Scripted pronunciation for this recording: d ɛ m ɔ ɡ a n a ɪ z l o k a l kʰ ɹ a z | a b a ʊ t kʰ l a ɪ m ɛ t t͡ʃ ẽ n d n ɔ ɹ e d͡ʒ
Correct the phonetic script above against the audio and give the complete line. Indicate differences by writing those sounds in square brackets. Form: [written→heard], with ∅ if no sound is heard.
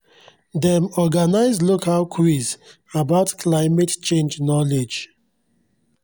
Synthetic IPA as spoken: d ɛ m ɔ ɡ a n a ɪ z l o k a l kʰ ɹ [a→i] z | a b a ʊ t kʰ l a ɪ m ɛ t t͡ʃ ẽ n [d→d͡ʒ] n ɔ [ɹ→l] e d͡ʒ